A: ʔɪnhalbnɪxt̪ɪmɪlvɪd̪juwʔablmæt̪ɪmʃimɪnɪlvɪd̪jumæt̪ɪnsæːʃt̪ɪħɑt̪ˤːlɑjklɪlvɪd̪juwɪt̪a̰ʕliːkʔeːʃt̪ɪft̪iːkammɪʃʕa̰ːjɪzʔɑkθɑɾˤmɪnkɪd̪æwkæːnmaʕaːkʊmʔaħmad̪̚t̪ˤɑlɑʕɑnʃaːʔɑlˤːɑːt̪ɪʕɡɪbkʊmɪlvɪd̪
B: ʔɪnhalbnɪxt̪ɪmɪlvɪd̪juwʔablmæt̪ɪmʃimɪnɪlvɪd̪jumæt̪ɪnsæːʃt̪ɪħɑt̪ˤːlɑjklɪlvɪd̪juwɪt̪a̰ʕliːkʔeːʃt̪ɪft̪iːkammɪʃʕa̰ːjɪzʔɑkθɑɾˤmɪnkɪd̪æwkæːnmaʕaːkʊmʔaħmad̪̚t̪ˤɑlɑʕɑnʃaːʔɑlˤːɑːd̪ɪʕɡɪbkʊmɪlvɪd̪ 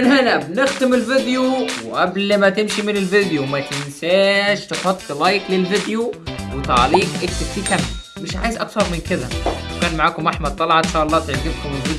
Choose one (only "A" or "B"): A